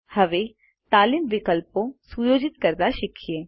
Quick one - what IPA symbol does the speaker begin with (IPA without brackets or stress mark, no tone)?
h